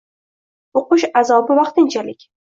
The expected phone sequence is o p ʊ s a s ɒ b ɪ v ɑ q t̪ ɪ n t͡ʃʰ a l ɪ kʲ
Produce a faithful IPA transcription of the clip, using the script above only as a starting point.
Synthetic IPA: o q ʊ ʃ a z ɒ b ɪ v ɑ q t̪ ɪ n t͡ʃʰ a l ɪ kʲ